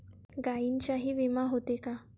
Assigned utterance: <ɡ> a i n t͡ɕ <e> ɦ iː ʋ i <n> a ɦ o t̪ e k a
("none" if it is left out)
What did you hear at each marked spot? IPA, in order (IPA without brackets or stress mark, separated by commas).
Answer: ɡ, a, m